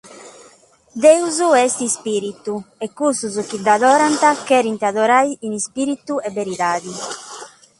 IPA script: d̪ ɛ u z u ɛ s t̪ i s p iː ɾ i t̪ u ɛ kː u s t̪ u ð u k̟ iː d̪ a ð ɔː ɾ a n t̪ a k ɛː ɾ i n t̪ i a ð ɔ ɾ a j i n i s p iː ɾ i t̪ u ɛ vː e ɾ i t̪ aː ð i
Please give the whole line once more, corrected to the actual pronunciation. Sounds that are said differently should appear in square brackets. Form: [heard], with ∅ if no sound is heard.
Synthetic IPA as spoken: d̪ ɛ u z u ɛ s t̪ i s p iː ɾ i t̪ u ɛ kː u s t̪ u [z] u k̟ [i] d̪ a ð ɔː ɾ a n t̪ a k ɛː ɾ i n t̪ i a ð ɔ ɾ a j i n i s p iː ɾ i t̪ u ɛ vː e ɾ i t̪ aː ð i